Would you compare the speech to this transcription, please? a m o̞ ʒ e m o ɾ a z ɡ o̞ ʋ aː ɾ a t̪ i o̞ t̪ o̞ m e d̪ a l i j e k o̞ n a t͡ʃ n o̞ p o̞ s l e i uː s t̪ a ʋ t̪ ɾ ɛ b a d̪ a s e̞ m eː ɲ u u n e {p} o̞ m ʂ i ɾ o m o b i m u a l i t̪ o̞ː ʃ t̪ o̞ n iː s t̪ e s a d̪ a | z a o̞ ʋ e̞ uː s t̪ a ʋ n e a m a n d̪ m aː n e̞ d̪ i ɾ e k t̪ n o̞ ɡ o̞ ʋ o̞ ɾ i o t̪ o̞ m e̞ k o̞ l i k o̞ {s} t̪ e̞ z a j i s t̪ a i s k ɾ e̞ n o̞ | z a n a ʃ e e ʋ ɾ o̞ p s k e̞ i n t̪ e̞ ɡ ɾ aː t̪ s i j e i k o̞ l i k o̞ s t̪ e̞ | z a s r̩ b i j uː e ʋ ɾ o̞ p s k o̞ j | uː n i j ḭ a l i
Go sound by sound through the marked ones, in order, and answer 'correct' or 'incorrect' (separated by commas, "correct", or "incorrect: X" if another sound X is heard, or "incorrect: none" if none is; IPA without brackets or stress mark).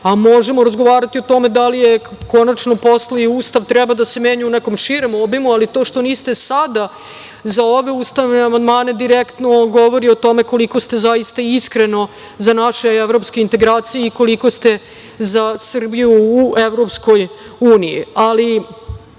incorrect: k, correct